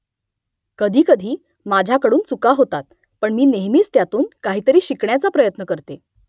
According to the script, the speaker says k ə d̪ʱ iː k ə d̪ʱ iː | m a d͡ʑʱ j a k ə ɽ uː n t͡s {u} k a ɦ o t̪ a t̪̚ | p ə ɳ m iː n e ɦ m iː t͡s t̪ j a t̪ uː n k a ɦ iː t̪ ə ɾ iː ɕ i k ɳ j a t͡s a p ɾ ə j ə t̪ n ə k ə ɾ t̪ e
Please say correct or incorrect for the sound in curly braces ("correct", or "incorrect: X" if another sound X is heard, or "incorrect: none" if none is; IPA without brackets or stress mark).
correct